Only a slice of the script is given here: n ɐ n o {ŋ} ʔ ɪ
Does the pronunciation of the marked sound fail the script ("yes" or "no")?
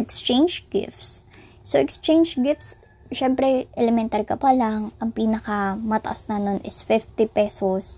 yes